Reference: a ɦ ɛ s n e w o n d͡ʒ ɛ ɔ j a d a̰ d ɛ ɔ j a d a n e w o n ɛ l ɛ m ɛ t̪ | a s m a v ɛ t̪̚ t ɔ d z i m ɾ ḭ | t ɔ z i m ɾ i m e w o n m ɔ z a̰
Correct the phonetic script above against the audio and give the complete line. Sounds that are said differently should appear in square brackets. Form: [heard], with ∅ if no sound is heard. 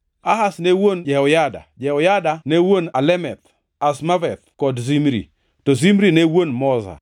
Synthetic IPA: a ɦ [a] s n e w o n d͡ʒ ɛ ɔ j a d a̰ [d͡ʒ] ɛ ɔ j a d a n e w o n [a] l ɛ m ɛ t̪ | a s m a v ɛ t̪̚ [k] ɔ d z i m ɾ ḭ | t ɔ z i m ɾ i [n] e w o n m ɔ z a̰